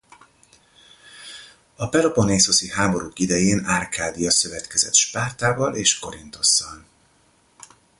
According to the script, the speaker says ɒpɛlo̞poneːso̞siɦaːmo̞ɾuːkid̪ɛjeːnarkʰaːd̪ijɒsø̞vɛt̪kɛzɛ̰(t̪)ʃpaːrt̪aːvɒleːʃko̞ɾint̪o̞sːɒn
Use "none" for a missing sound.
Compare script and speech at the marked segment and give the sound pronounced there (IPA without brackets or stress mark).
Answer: t̪